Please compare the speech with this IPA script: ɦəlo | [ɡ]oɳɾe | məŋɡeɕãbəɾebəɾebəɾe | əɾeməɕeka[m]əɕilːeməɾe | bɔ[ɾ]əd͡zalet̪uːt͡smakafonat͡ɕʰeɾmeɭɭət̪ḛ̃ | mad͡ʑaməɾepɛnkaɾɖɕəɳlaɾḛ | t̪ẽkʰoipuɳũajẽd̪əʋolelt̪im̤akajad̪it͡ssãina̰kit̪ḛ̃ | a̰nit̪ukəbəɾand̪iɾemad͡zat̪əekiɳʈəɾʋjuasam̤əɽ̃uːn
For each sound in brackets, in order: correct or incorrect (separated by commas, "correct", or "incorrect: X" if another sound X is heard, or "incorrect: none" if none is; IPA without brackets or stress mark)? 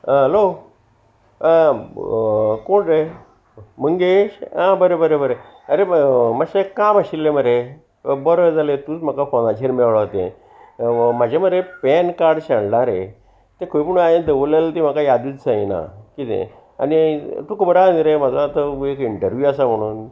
incorrect: k, correct, correct